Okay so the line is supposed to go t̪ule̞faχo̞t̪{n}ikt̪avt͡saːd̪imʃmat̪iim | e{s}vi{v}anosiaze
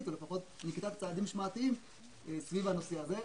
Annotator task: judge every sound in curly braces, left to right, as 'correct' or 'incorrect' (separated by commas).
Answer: correct, correct, correct